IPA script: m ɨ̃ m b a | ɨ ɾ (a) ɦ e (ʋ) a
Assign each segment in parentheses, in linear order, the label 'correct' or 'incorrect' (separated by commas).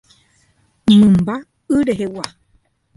incorrect, incorrect